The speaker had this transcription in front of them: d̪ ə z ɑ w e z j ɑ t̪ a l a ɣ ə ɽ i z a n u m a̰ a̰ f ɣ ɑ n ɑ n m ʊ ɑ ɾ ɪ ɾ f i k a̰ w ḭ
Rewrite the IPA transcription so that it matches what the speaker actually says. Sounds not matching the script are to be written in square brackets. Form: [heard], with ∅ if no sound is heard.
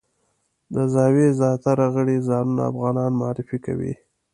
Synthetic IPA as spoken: d̪ ə z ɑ w e z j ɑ t̪ a [ɾ] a ɣ ə ɽ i z [ɑ] n u [n] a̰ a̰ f ɣ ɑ n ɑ n m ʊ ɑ ɾ ɪ [∅] f i k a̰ w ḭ